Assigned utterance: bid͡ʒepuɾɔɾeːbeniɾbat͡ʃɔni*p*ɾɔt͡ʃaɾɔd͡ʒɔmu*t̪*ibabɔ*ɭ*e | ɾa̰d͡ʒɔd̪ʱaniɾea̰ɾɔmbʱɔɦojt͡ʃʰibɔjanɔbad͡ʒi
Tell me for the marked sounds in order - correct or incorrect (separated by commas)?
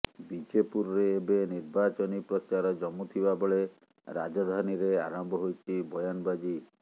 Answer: correct, incorrect, correct